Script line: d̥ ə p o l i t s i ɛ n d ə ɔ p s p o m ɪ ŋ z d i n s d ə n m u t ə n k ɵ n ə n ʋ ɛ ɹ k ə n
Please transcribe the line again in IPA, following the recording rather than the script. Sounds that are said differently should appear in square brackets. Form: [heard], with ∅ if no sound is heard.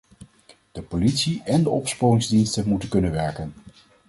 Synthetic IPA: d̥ ə p o l i t s i ɛ n d ə ɔ p s p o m ɪ ŋ z d i n s [t] ə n m u t ə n k ɵ n ə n ʋ ɛ ɹ k ə n

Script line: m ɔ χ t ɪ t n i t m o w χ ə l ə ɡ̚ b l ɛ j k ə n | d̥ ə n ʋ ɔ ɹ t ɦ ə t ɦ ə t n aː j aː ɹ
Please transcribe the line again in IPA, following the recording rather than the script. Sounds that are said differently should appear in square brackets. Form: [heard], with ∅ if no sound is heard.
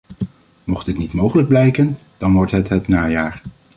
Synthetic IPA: m ɔ χ t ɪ t n i t m o w χ ə l ə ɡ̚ b l ɛ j k ə n | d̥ [ɑ] n ʋ ɔ ɹ t ɦ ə t ɦ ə t n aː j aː ɹ

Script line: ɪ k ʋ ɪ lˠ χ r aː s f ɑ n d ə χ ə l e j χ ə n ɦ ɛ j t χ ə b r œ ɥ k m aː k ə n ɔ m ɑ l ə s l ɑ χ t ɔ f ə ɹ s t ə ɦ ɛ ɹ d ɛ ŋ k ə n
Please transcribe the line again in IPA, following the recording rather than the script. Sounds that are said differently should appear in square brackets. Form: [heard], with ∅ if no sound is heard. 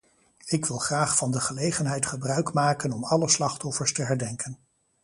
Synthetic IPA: ɪ k ʋ ɪ lˠ χ r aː [χ] f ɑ n d ə χ ə l e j χ ə n ɦ ɛ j t χ ə b r œ ɥ k m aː k ə n ɔ m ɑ l ə s l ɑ χ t ɔ f ə ɹ s t ə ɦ ɛ ɹ d ɛ ŋ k ə n

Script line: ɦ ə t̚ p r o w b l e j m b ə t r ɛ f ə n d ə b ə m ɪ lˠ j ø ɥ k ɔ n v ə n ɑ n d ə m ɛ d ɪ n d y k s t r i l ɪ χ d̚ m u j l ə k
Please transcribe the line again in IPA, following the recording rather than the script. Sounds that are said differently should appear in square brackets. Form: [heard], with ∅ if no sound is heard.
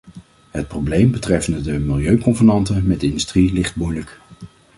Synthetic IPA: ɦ ə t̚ p r o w b l e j m b ə t r ɛ f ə n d ə [d] ə m ɪ lˠ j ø ɥ k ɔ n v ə n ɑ n [t] ə m ɛ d ɪ n d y [∅] s t r i l ɪ χ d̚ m u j l ə k

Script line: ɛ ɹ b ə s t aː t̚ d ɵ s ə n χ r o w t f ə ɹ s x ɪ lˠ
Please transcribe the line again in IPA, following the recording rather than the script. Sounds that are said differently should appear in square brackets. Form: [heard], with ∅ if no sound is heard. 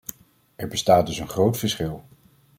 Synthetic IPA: ɛ ɹ b ə s t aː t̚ d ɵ s ə n χ r o w t f ə ɹ s [χ] ɪ lˠ

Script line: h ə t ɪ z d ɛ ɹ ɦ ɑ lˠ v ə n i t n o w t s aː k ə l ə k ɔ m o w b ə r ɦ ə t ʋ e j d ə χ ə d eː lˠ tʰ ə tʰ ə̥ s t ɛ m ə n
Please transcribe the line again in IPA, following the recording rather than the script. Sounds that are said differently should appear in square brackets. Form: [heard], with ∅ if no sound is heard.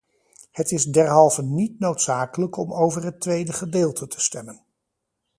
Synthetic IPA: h ə t ɪ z d ɛ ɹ ɦ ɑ lˠ v ə n i t n o w t s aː k ə l ə k ɔ m o w [v] ə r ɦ ə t ʋ e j d ə χ ə d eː lˠ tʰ ə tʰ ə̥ s t ɛ m ə n

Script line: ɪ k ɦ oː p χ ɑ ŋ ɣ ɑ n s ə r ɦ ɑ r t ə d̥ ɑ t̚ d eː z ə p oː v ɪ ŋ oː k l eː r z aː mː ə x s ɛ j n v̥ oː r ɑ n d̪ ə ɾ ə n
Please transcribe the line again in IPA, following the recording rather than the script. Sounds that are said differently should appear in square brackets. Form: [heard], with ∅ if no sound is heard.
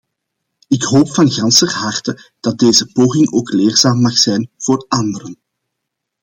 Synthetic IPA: ɪ k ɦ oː p [f] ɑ [n] ɣ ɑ n s ə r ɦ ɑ r t ə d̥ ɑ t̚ d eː z ə p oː [ɣ] ɪ ŋ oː k l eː r z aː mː [ɑ] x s ɛ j n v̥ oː r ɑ n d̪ ə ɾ ə n

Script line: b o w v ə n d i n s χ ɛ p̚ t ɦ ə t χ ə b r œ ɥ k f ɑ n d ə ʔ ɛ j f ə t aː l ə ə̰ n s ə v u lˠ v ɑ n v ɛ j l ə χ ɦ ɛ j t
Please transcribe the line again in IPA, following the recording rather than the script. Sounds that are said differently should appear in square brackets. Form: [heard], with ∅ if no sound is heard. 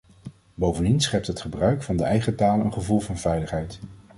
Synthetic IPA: b o w v ə n d i n s χ ɛ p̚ t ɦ ə t χ ə b r œ ɥ k f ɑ n d ə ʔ ɛ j [χ] ə t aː l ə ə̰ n [χ] ə v u lˠ v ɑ n v ɛ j l ə χ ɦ ɛ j t

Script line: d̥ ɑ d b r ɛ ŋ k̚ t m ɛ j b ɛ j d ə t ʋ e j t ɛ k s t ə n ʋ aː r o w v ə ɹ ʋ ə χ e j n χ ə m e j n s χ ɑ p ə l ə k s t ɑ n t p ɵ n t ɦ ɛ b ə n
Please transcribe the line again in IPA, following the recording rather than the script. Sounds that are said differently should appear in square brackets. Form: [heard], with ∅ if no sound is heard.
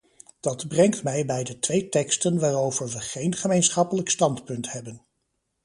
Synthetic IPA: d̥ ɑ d b r ɛ ŋ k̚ t m ɛ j b ɛ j d ə t ʋ e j t ɛ k s t ə n ʋ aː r o w v ə ɹ ʋ ə χ e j n χ ə m e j n s χ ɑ p ə l ə k s t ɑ n t p ɵ n t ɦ ɛ b ə n

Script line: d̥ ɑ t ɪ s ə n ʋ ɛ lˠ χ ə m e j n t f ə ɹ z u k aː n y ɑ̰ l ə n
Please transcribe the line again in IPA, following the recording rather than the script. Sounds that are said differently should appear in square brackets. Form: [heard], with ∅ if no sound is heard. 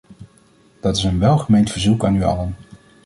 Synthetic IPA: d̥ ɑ t ɪ s ə n ʋ ɛ lˠ χ ə m e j n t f ə ɹ z u k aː n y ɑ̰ l ə n

